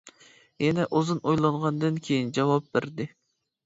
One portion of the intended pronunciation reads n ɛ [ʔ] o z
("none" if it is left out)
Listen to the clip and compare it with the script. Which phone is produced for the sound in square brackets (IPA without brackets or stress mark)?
ʔ